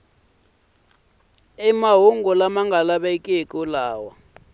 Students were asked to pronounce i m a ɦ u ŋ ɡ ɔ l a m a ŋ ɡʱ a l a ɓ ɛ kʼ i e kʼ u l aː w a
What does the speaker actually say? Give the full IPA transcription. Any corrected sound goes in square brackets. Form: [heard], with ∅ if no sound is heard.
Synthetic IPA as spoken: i m a ɦ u ŋ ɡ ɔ l a m a ŋ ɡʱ a l a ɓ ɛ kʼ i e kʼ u l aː w a